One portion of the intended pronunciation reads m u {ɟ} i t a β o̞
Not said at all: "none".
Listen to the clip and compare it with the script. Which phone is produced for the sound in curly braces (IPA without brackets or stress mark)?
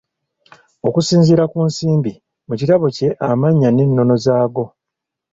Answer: c